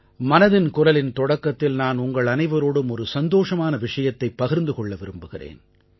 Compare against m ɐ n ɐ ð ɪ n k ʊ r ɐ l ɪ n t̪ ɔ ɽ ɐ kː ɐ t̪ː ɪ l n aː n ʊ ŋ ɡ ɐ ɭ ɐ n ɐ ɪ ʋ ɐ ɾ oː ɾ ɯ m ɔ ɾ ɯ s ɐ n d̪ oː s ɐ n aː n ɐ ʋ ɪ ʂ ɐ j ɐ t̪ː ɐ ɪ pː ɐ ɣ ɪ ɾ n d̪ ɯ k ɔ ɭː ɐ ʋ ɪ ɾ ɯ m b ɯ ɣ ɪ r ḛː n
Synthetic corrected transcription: m ɐ n ɐ ð ɪ n k ʊ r ɐ l ɪ n t̪ ɔ ɽ ɐ kː ɐ t̪ː ɪ l n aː n ʊ ŋ ɡ ɐ ɭ ɐ n ɐ ɪ ʋ ɐ ɾ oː ɽ ɯ m ɔ ɾ ɯ s ɐ n d̪ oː ʂ ɐ m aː n ɐ ʋ ɪ ʂ ɐ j ɐ t̪ː ɐ ɪ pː ɐ ɣ ɪ ɾ n d̪ ɯ k ɔ ɭː ɐ ʋ ɪ ɾ ɯ m b ɯ ɣ ɪ r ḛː n